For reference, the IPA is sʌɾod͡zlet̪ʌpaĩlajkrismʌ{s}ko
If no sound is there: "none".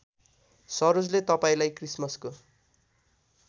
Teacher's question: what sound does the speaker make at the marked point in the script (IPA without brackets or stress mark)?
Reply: s